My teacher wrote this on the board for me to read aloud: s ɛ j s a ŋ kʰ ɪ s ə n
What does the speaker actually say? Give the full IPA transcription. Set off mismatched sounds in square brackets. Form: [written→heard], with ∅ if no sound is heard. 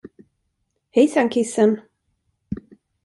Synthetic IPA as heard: [s→h] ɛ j s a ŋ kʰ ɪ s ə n